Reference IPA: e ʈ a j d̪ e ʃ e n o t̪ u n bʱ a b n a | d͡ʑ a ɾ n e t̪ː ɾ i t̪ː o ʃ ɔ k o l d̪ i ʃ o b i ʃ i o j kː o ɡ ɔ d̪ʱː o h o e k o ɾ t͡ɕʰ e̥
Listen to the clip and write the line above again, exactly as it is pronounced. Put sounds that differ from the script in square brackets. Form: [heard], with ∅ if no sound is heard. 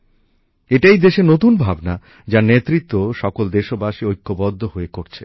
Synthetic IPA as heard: e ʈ a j d̪ e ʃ e n o t̪ u n bʱ a b n a | d͡ʑ a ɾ n e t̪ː ɾ i t̪ː o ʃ ɔ k o l d̪ [e] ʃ o b [a] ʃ i o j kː o [b] ɔ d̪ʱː o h o e k o ɾ t͡ɕʰ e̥